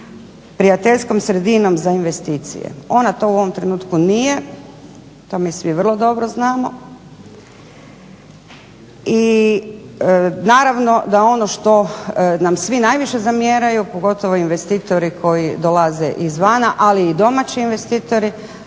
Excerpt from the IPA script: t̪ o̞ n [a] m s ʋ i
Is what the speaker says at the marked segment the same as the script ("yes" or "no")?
yes